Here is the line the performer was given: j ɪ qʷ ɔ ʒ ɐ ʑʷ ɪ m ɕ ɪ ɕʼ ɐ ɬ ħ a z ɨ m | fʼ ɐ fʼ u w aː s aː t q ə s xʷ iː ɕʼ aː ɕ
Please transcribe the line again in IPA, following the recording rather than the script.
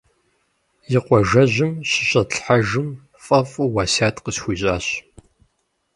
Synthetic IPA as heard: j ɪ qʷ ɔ ʒ ɐ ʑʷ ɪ m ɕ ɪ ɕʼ ɐ ɬ ħ a ʒ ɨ m | fʼ ɐ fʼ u w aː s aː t q ə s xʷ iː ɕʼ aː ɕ